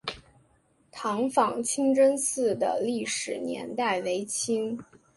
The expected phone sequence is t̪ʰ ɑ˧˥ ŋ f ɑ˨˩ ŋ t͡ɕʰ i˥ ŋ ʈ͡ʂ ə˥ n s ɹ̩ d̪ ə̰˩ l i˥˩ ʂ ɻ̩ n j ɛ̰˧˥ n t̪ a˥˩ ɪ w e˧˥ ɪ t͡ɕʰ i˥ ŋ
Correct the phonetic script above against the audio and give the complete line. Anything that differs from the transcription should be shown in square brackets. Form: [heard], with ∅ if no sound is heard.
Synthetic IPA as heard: t̪ʰ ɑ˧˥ ŋ f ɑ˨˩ ŋ t͡ɕʰ i˥ ŋ ʈ͡ʂ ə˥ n s ɹ̩ d̪ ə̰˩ l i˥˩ ʂ ɻ̩ n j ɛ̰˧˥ n t̪ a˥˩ ɪ w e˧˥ ɪ t͡ɕʰ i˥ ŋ